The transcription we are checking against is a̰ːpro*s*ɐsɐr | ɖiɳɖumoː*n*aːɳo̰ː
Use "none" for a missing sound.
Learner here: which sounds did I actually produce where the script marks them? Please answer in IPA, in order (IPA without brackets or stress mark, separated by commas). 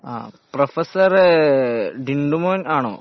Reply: f, n